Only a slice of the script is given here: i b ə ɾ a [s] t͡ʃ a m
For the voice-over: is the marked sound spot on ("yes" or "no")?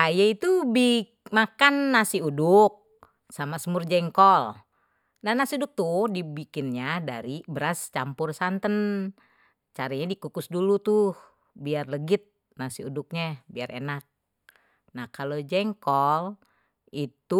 yes